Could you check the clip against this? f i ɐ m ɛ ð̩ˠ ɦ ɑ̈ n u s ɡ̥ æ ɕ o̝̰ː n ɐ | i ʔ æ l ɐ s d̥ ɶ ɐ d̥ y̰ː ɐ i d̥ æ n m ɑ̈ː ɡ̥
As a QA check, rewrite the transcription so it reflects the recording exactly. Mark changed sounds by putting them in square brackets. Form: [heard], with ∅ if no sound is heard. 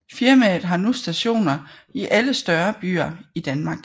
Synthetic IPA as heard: f i ɐ m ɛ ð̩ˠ ɦ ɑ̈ n u s [d̥] æ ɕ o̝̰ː n ɐ | i ʔ æ l [ə] s d̥ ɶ ɐ [b̥] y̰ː ɐ i d̥ æ n m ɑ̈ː ɡ̥